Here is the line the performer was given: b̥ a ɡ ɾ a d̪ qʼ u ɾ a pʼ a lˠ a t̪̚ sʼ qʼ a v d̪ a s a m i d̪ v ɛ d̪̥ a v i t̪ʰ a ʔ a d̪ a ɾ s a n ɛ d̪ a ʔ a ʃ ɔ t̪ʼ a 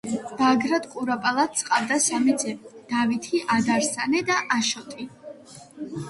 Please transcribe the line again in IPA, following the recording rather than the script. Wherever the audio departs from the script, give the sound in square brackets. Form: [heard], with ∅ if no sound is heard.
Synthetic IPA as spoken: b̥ a ɡ ɾ a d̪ qʼ u ɾ a pʼ a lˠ a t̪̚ sʼ qʼ a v d̪ a s a m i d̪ [z] ɛ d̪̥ a v i t̪ʰ [i] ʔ a d̪ a ɾ s a n ɛ d̪ a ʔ a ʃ ɔ t̪ʼ [i]